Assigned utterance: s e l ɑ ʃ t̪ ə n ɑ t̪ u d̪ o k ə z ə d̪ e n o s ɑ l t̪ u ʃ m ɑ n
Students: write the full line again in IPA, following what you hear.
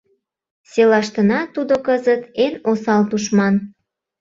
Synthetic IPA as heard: s e l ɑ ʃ t̪ ə n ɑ t̪ u d̪ o k ə z ə t̪ e n o s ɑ l t̪ u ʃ m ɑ n